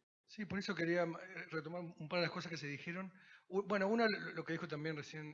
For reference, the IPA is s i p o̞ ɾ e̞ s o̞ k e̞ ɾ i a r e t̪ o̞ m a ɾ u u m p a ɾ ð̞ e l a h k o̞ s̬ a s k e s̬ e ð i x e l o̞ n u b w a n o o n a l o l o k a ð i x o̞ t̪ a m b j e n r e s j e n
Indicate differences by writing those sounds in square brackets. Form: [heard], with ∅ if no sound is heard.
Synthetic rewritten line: s i p o̞ ɾ e̞ s o̞ k e̞ ɾ i a r e t̪ o̞ m a ɾ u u m p a ɾ ð̞ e l a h k o̞ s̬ a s k e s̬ e ð i x e [ɾ] o̞ n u b w [e] n o [u] n a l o l o k [e] ð i x o̞ t̪ a m b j e n r e s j e n

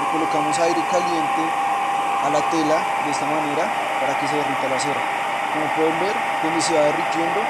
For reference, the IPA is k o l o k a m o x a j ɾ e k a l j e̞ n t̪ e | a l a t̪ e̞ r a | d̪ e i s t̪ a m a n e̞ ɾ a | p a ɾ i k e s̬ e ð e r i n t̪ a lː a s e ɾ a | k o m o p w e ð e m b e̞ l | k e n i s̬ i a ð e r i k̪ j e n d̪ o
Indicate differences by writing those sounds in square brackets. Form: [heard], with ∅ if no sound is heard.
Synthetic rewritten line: k o l o k a m o [s] a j ɾ e k a l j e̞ n t̪ e | a l a t̪ e̞ [l] a | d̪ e [e] s t̪ a m a n e̞ ɾ a | p a ɾ [a] k e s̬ e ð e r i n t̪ a [l] a s e ɾ a | k o m o p w e ð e m b e̞ [ɾ] | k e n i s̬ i a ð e r i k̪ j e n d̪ o

